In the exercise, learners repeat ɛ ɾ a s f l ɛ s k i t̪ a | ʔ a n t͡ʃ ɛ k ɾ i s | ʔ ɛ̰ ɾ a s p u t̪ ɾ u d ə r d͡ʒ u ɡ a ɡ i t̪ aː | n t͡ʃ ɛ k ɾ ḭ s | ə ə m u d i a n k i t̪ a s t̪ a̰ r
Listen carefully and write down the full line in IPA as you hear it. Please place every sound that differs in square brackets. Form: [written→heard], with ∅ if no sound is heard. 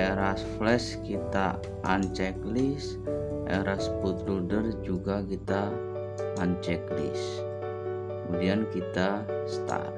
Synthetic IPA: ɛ ɾ a s f l ɛ s k i t̪ a | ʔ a n t͡ʃ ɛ k [ɾ→l] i s | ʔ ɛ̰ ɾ a s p u t̪ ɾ u d ə r d͡ʒ u ɡ a [ɡ→k] i t̪ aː | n t͡ʃ ɛ k [ɾ→l] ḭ s | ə ə m u d i a n k i t̪ a s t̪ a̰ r